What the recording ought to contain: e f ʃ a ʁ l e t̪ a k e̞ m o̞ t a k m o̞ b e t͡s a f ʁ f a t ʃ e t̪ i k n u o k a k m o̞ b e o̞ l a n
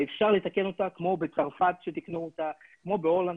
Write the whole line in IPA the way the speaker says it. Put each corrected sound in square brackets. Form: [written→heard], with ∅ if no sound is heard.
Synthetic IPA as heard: e f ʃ a ʁ l e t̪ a k e̞ [m→n] o̞ t a k m o̞ b e t͡s a [f→∅] ʁ f a t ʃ e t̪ i k n u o [k→t] a k m o̞ b e o̞ l a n